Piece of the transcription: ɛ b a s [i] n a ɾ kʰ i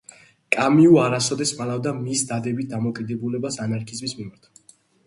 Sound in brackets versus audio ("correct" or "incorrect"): incorrect